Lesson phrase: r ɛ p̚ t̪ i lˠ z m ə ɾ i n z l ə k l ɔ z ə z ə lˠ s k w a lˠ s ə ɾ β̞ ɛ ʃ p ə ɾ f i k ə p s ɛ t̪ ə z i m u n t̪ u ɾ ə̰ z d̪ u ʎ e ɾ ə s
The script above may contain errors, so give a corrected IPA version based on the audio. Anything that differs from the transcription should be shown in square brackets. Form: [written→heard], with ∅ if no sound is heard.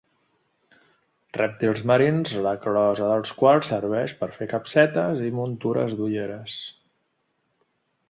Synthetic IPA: r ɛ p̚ t̪ i lˠ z m ə ɾ i n z l ə k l ɔ z ə [z→ð] ə lˠ s k w a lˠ s ə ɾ β̞ ɛ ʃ p ə ɾ f [i→e] k ə p s ɛ t̪ ə z i m u n t̪ u ɾ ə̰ z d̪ u ʎ e ɾ ə s